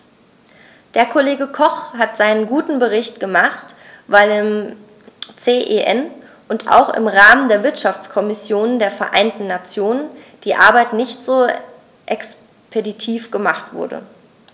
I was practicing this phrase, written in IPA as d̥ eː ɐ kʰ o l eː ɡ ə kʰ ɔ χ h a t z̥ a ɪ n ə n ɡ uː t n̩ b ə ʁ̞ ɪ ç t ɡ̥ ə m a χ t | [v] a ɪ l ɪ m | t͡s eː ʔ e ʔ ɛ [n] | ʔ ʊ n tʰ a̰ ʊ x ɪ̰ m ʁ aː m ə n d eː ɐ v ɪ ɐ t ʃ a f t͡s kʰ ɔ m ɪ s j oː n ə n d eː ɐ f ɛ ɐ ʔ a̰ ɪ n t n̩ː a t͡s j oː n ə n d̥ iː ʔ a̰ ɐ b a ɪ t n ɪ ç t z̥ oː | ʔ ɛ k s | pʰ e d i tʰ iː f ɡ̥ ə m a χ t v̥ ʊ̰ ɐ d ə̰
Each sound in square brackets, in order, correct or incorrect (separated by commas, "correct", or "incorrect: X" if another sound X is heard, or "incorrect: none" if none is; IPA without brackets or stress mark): correct, correct